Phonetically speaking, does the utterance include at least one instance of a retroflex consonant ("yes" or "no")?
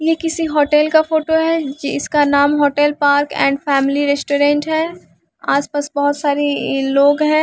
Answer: yes